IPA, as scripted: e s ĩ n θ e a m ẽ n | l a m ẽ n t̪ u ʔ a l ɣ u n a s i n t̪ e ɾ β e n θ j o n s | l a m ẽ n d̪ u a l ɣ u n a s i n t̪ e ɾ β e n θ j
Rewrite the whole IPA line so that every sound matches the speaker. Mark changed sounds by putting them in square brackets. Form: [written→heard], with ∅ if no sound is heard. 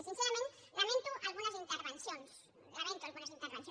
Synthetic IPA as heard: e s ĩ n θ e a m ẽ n | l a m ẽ n t̪ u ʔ a l ɣ u n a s i n t̪ e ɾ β e n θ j o n s | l a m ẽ n [d̪→t̪] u a l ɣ u n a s i n t̪ e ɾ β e n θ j